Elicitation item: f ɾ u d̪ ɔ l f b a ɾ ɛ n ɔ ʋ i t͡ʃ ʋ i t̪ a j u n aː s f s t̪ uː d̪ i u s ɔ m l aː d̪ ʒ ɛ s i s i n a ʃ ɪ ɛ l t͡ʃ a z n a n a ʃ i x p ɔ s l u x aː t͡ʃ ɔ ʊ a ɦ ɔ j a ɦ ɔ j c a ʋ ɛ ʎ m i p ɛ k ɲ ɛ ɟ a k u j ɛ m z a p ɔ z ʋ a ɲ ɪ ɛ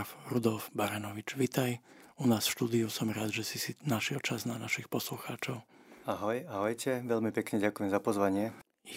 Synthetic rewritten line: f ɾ u d̪ ɔ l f b a ɾ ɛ n ɔ ʋ i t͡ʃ ʋ i t̪ a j u n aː s f ʃ t̪ uː d̪ i u s ɔ m ɾ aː d̪ ʒ ɛ s i s i n a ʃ ɪ ɛ l t͡ʃ a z n a n a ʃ i x p ɔ s l u x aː t͡ʃ ɔ ʊ a ɦ ɔ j a ɦ ɔ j c ɛ ʋ ɛ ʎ m i p ɛ k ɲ ɛ ɟ a k u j ɛ m z a p ɔ z ʋ a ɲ ɪ ɛ